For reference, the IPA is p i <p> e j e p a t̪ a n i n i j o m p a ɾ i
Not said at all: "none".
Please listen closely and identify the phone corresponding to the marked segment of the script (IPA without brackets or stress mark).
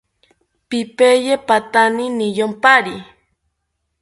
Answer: p